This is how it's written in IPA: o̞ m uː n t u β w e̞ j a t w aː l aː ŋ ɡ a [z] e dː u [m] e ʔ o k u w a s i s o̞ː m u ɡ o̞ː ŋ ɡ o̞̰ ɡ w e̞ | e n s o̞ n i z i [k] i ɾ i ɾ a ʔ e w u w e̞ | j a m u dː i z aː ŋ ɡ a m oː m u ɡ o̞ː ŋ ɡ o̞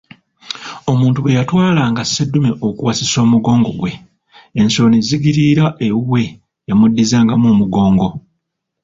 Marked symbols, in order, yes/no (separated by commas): no, yes, no